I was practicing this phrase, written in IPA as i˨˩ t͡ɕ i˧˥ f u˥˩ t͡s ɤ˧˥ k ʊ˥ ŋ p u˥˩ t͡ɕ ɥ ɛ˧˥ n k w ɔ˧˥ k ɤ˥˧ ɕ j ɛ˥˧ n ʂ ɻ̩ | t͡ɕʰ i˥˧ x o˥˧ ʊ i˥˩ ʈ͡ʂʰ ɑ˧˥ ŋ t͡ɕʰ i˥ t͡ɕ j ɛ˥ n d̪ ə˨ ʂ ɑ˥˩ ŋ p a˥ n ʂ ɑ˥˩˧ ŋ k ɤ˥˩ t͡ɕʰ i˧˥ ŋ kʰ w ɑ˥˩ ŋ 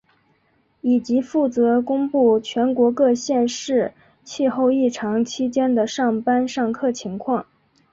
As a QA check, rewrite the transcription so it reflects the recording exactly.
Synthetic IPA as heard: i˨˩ t͡ɕ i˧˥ f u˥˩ t͡s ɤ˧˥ k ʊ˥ ŋ p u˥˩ t͡ɕʰ ɥ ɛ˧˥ n k w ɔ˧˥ k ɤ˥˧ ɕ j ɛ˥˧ n ʂ ɻ̩ | t͡ɕʰ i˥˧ x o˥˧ ʊ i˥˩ ʈ͡ʂʰ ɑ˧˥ ŋ t͡ɕʰ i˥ t͡ɕ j ɛ˥ n d̪ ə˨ ʂ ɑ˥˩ ŋ p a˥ n ʂ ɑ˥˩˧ ŋ kʰ ɤ˥˩ t͡ɕʰ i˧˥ ŋ kʰ w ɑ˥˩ ŋ